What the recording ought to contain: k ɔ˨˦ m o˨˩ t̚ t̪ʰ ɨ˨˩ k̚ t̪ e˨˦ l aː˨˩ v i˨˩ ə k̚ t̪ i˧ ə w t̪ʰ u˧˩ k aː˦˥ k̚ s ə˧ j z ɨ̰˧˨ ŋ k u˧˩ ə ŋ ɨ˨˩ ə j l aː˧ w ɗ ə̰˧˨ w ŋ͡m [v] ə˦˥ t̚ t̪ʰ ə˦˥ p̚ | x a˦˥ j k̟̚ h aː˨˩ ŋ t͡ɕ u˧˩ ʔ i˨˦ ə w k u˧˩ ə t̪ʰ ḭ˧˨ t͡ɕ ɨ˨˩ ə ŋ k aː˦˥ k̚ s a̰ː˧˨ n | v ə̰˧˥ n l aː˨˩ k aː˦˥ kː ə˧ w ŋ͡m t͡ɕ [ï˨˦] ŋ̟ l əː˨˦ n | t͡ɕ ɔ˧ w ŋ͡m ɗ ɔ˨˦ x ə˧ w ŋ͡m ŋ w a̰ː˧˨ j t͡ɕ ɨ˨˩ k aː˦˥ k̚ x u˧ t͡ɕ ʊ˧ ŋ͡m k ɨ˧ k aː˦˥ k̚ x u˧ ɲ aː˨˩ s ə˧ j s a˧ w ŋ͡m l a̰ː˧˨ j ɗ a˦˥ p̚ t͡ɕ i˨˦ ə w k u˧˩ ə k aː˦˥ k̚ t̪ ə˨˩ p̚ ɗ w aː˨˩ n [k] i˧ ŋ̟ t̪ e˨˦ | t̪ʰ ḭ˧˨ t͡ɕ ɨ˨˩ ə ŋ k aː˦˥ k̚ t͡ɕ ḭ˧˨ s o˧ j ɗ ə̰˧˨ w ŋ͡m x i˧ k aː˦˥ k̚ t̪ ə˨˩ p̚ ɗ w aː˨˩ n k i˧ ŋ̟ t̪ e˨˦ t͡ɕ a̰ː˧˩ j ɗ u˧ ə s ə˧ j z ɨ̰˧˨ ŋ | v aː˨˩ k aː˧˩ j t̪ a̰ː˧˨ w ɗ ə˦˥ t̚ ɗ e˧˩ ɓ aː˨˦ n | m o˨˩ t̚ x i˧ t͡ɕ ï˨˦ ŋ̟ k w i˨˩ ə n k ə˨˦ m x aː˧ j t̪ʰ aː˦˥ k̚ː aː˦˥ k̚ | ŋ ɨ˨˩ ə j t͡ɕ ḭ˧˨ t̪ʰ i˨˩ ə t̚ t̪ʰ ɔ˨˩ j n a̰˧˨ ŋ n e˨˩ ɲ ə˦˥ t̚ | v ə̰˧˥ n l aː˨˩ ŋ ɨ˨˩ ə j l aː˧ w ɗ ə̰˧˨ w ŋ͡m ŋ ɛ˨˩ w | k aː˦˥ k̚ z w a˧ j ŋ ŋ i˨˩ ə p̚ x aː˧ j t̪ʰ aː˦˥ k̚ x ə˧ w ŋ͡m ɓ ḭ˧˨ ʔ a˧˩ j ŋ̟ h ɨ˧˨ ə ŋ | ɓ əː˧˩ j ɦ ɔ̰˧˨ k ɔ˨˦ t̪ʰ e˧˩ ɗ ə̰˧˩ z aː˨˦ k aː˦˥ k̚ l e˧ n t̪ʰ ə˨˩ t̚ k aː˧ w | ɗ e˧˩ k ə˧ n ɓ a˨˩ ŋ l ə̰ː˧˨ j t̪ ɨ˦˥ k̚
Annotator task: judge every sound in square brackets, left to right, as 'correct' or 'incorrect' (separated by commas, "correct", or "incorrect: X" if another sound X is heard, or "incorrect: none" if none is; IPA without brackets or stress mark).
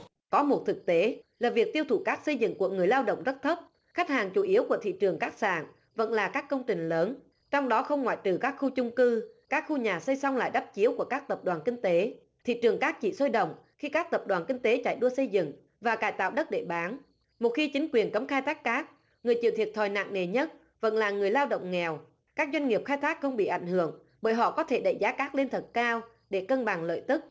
incorrect: z, incorrect: ï˨˩, correct